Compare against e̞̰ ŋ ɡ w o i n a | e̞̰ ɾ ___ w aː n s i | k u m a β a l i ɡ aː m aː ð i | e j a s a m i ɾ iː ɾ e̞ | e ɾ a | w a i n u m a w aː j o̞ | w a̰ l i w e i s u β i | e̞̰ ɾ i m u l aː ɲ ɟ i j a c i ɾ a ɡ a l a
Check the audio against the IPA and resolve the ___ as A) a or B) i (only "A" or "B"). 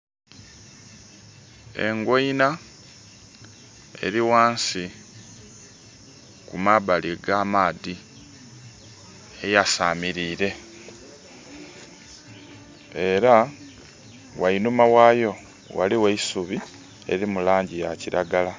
B